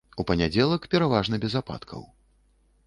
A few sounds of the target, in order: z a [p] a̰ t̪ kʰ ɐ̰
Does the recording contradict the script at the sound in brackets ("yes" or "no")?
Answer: no